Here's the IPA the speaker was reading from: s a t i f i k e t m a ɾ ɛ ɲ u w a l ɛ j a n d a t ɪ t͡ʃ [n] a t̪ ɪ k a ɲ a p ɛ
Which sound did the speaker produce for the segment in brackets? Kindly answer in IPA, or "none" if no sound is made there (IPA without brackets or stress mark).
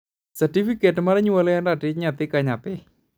ɲ